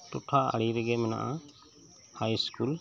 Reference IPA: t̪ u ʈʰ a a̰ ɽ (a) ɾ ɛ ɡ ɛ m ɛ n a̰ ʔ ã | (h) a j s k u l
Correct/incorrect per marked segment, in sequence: incorrect: i, correct

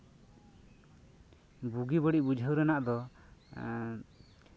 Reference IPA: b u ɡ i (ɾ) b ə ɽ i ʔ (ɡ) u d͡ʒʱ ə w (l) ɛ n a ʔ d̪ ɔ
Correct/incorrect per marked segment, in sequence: incorrect: none, incorrect: b, incorrect: ɾ

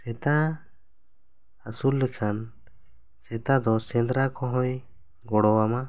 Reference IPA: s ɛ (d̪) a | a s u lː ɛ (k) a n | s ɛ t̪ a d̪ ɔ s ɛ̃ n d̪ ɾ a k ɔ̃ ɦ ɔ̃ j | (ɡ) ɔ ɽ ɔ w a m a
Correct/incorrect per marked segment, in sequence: incorrect: t̪, incorrect: kʰ, correct

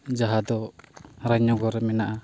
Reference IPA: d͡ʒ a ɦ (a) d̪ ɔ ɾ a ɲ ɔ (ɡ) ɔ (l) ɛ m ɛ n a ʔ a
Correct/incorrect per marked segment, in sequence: correct, correct, incorrect: ɾ

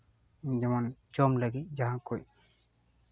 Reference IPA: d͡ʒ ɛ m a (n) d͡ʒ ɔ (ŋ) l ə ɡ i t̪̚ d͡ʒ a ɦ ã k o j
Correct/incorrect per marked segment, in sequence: correct, incorrect: m

